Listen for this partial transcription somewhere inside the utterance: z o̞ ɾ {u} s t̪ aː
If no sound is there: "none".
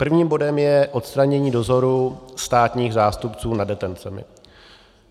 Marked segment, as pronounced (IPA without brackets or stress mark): u